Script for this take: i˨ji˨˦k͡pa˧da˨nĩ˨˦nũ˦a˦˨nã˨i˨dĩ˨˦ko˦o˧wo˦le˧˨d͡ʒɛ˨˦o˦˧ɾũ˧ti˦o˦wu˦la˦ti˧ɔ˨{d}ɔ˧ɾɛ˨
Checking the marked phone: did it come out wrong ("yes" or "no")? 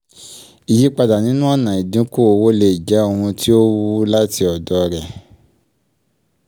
no